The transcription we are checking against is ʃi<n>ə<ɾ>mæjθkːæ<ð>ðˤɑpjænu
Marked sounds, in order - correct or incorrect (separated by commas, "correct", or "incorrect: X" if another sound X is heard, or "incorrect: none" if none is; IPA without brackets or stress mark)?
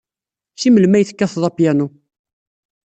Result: incorrect: m, incorrect: l, incorrect: θ